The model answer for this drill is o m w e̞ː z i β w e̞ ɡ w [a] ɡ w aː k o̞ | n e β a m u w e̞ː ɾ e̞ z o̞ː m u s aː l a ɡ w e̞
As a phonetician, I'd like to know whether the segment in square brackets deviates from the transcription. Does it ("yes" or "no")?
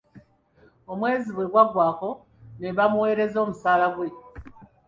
no